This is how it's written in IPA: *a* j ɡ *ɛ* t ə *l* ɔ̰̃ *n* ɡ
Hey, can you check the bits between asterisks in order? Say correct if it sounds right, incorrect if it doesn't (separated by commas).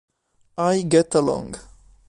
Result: correct, correct, correct, incorrect